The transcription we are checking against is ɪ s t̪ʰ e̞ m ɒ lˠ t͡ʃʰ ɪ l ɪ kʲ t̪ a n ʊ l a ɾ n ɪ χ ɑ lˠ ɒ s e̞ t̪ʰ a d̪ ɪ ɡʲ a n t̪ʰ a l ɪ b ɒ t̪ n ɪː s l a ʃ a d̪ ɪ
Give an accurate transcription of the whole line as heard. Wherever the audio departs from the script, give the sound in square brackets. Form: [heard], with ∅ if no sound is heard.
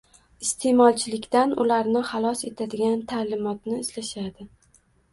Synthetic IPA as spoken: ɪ s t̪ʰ e̞ m ɒ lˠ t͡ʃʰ ɪ l ɪ kʲ t̪ a n ʊ l a ɾ n ɪ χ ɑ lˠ ɒ s e̞ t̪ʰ a d̪ ɪ ɡʲ a n t̪ʰ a l ɪ [m] ɒ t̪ n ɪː s l a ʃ a d̪ ɪ